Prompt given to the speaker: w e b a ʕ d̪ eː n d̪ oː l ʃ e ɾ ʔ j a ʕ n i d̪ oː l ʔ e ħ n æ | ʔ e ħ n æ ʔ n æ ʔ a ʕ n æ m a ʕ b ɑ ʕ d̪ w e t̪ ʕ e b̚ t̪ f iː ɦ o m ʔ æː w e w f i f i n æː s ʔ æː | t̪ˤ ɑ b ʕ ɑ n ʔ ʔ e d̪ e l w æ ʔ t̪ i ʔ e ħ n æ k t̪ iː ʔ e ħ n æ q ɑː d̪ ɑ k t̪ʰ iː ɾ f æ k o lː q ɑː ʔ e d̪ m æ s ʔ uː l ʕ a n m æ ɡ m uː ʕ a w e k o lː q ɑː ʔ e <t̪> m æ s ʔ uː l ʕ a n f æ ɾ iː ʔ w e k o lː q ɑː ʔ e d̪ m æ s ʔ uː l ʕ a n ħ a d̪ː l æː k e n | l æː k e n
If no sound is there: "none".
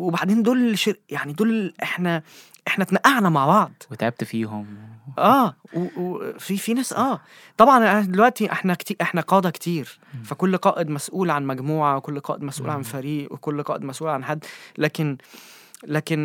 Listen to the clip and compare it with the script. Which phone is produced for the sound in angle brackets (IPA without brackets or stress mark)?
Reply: d̪